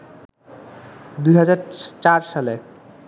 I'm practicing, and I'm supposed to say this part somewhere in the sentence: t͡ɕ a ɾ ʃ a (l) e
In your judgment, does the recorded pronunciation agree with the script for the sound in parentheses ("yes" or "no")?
yes